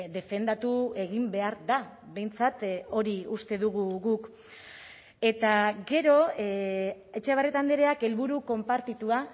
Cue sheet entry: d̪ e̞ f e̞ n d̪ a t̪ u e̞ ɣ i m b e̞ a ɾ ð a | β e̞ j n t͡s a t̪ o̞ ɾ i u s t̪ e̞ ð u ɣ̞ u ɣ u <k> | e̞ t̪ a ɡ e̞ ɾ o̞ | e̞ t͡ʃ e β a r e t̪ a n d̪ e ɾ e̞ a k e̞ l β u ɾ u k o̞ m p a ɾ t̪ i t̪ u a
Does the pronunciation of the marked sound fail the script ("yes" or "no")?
no